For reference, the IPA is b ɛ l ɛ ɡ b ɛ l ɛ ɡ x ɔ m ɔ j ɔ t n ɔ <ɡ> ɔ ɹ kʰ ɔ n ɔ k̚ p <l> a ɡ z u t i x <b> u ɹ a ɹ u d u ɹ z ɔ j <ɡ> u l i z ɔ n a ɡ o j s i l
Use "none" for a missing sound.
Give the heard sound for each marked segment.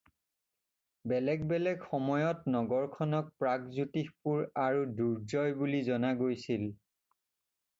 ɡ, ɹ, p, b

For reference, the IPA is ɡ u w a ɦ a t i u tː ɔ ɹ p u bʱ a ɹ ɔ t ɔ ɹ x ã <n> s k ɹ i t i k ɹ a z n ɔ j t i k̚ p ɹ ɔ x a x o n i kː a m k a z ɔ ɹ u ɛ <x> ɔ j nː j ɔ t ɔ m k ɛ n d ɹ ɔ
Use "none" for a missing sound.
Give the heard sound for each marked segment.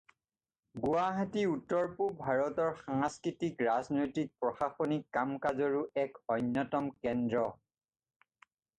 ŋ, k

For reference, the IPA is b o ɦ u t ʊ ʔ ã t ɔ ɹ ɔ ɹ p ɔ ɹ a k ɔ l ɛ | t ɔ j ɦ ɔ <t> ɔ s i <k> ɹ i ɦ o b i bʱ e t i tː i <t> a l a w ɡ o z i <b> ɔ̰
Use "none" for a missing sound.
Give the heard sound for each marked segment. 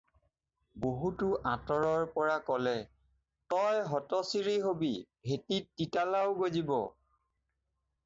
t, none, t, b

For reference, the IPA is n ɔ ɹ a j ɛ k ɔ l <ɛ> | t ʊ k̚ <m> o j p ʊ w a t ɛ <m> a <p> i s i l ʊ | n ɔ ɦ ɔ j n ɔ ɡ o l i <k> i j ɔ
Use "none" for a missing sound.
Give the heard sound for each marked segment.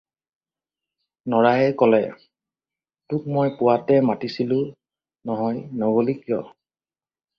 ɛ, m, m, t, k

